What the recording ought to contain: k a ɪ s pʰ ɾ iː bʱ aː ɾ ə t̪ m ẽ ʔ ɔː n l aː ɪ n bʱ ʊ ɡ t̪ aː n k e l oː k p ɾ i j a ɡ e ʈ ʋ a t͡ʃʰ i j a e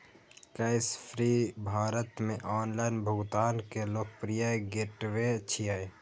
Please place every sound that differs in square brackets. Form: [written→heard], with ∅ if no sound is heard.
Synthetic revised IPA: k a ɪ s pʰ ɾ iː bʱ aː ɾ ə t̪ m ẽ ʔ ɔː n l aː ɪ n bʱ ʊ ɡ t̪ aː n k e l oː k p ɾ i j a ɡ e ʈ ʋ [a→e] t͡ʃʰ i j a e